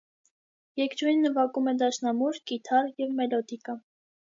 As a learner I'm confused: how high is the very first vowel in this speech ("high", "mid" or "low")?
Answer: mid